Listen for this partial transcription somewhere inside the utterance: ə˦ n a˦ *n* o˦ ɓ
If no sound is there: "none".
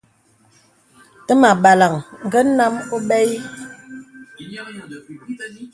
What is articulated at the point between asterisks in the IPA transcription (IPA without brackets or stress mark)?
m